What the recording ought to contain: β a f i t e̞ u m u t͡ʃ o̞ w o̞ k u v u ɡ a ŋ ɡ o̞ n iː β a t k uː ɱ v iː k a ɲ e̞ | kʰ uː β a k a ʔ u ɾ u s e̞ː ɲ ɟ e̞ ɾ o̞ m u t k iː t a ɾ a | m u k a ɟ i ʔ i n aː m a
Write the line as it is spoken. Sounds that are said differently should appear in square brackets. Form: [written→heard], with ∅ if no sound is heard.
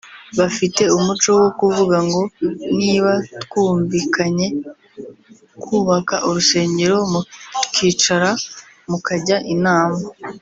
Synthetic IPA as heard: β a f i t e̞ u m u t͡ʃ o̞ w o̞ k u v u ɡ a ŋ ɡ o̞ n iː β a t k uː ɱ v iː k a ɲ e̞ | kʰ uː β a k a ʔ u ɾ u s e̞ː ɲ ɟ e̞ ɾ o̞ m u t k iː [t→t͡ʃ] a ɾ a | m u k a ɟ [i→a] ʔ i n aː m a